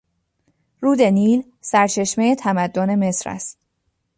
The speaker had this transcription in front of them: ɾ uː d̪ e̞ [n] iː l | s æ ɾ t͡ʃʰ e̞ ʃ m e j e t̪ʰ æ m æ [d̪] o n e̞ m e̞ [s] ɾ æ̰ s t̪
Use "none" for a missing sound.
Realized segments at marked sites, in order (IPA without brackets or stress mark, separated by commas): n, d̪ː, s